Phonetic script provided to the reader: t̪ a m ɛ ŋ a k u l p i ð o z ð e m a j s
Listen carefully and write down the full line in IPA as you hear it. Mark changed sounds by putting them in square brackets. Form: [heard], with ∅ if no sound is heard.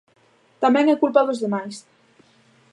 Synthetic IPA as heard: t̪ a m ɛ ŋ [ɛ] k u l p [a] ð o z ð e m a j s